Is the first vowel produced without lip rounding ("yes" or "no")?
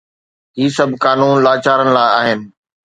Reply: yes